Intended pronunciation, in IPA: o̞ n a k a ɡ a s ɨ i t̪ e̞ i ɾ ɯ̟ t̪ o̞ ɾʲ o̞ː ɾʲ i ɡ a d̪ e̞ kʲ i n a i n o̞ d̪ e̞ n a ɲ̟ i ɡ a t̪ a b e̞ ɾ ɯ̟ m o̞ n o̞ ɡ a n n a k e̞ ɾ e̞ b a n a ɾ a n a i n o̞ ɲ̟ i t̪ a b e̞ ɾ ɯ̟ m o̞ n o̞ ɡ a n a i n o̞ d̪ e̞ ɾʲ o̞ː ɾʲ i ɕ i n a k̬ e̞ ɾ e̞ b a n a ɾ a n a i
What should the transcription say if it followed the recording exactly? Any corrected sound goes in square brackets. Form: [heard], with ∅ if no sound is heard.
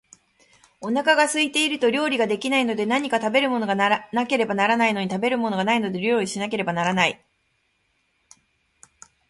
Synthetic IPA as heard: o̞ n a k a ɡ a s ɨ i t̪ e̞ i ɾ ɯ̟ t̪ o̞ ɾʲ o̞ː ɾʲ i ɡ a d̪ e̞ kʲ i n a i n o̞ d̪ e̞ n a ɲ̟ i [k] a t̪ a b e̞ ɾ ɯ̟ m o̞ n o̞ ɡ a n n a k e̞ ɾ e̞ b a n a ɾ a n a i n o̞ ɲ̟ i t̪ a b e̞ ɾ ɯ̟ m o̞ n o̞ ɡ a n a i n o̞ d̪ e̞ ɾʲ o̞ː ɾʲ i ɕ i n a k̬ e̞ ɾ e̞ b a n a ɾ a n a i